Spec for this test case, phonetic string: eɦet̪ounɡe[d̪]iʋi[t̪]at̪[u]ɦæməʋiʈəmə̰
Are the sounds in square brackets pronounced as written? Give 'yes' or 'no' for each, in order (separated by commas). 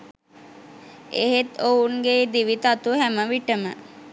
yes, yes, yes